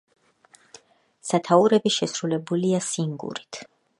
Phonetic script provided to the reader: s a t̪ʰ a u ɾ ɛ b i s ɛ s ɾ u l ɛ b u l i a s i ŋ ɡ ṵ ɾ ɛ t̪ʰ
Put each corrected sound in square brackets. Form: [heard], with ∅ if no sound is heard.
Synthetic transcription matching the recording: s a t̪ʰ a u ɾ ɛ b i [ʃ] ɛ s ɾ u l ɛ b u l i a s i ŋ ɡ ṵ ɾ [i] t̪ʰ